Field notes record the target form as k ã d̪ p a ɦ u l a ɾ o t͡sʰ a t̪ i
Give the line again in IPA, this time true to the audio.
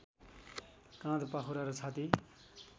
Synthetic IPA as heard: k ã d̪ p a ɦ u ɾ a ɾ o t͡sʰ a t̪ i